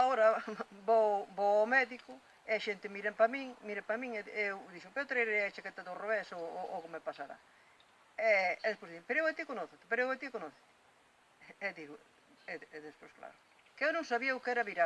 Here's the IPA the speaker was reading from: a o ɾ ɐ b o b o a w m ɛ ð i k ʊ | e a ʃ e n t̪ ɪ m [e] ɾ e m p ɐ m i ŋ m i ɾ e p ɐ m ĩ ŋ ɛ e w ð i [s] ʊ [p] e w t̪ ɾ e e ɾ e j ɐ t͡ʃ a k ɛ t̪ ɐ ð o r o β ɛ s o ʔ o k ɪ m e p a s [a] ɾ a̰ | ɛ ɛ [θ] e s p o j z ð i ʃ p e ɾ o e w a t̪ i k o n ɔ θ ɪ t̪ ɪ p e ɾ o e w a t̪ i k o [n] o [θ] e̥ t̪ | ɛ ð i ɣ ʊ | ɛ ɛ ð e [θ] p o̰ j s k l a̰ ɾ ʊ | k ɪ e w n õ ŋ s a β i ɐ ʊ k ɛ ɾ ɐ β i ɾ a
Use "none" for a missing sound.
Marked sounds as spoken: i, ʃ, p, a, ð, n, θ, s

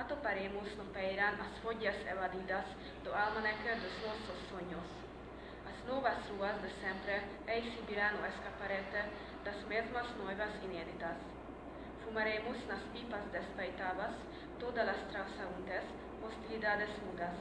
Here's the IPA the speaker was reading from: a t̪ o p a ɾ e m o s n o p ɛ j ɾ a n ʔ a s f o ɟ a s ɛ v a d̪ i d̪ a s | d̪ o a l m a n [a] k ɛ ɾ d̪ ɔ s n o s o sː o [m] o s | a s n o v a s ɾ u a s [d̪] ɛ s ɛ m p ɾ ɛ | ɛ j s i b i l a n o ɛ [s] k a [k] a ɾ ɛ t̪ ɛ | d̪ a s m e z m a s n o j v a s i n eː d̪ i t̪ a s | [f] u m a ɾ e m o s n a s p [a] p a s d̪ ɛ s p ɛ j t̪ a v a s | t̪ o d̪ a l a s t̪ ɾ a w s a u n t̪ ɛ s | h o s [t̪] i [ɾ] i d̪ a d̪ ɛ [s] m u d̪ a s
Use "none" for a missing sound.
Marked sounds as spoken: ɛ, ɲ, d̪, s, p, f, i, t̪, l, s

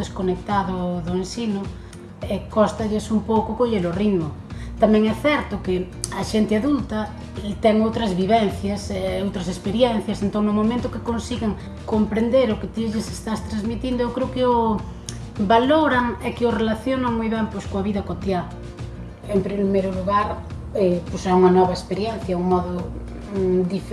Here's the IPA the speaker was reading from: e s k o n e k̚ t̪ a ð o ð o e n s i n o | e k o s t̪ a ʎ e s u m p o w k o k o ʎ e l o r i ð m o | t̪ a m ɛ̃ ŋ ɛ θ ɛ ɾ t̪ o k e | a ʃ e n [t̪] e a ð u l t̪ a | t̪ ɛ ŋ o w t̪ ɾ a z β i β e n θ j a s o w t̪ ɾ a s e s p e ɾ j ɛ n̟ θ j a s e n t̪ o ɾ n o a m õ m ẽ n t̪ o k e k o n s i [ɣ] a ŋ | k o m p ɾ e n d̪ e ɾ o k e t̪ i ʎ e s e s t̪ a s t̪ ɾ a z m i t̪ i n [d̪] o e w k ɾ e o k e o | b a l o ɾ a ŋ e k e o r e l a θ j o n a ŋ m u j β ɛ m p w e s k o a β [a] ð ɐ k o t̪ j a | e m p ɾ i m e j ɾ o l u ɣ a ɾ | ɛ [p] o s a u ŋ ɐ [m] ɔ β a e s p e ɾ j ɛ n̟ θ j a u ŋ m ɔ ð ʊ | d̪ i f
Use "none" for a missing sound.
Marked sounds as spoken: t̪, ɣ, d̪, i, p, n

